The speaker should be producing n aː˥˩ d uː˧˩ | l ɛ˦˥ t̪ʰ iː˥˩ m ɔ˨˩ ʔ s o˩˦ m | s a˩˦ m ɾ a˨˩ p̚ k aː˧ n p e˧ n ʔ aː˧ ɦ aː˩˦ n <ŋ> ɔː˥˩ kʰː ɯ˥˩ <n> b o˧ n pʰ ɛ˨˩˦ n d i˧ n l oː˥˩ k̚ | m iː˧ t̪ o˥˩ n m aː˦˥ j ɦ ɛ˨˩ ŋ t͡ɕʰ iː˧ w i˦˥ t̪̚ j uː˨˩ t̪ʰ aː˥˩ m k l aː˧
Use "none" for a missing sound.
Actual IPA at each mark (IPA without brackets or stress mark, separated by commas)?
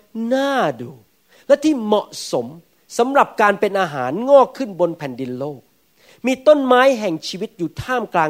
ŋ, n